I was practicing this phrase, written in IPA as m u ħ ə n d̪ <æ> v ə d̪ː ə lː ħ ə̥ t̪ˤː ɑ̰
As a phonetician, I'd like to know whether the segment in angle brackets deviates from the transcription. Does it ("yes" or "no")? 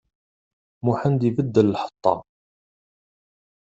yes